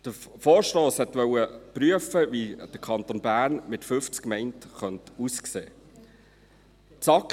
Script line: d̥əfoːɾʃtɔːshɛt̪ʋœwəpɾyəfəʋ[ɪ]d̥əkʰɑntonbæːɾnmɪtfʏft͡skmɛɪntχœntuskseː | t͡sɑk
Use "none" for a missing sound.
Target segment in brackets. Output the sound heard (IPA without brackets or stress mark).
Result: i